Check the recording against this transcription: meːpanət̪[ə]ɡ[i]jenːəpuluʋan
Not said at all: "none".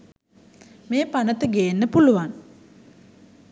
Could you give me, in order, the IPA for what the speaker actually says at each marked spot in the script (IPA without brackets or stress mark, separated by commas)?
ə, e